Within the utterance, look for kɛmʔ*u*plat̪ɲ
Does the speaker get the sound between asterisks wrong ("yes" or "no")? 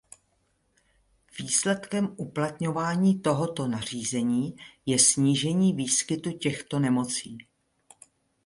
no